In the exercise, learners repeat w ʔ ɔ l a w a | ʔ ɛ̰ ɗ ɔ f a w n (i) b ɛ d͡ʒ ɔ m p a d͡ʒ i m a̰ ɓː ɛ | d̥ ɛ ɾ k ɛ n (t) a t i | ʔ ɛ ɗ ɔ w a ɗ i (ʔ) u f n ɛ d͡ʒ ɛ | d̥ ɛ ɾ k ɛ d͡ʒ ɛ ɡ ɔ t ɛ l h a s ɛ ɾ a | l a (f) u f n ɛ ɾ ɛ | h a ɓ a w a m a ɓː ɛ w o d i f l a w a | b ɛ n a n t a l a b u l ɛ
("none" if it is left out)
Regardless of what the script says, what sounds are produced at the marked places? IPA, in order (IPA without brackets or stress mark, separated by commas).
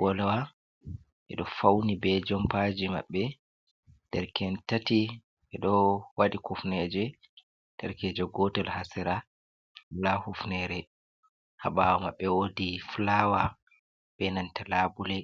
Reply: i, t, k, h